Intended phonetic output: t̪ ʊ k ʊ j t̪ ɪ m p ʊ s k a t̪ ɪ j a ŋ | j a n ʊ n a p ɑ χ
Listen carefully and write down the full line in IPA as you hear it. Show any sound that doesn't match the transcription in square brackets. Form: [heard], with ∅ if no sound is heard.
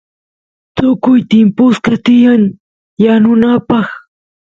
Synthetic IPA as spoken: t̪ ʊ k ʊ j t̪ ɪ m p ʊ s k a t̪ ɪ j a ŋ | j a n ʊ n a p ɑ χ